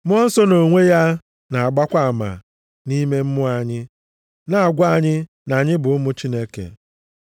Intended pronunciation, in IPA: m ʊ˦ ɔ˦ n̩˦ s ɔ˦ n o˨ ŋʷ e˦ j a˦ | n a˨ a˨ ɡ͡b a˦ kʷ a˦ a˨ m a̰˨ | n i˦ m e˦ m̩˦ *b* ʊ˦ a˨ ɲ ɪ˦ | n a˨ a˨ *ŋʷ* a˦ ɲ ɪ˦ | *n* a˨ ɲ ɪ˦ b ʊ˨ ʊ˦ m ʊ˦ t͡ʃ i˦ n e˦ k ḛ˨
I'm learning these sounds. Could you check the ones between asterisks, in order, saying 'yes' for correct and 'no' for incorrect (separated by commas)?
no, no, yes